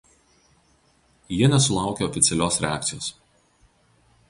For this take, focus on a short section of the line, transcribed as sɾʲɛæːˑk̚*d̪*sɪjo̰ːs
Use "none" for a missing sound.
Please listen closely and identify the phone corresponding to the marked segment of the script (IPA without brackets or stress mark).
t̪